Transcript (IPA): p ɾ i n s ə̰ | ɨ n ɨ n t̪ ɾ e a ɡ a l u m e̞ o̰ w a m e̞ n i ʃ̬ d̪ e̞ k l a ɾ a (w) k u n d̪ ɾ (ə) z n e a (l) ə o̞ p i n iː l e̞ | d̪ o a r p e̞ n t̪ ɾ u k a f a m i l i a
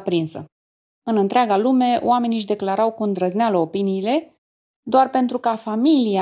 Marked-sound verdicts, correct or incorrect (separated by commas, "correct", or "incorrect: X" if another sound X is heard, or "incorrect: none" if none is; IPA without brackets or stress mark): correct, correct, correct